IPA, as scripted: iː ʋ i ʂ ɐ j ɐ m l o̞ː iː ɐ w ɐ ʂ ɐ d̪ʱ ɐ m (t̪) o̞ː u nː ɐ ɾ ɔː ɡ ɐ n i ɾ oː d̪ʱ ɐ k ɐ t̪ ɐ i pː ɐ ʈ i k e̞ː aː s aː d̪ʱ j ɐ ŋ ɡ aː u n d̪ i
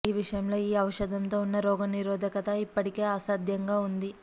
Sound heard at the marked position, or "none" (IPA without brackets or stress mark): t̪